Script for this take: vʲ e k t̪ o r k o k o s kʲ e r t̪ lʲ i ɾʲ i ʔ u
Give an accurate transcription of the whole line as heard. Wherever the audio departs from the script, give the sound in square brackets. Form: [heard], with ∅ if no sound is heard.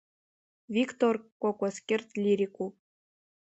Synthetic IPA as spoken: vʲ [i] k t̪ o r k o k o s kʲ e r t̪ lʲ i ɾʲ i [k] u